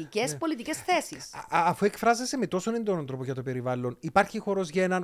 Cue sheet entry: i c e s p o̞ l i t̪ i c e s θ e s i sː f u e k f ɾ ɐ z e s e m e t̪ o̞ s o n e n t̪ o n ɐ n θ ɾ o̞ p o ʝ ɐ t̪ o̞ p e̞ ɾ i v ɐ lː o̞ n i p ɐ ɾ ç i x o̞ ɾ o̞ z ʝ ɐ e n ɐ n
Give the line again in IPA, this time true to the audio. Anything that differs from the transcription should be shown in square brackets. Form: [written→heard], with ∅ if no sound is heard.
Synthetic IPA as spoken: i c e s p o̞ l i t̪ i c e s θ e s i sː f u e k f ɾ ɐ z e s e m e t̪ o̞ s o n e n [t̪→d̪] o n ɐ n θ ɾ o̞ p o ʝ ɐ t̪ o̞ p e̞ ɾ i v ɐ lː o̞ n i p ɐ ɾ ç i x o̞ ɾ o̞ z ʝ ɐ e n ɐ n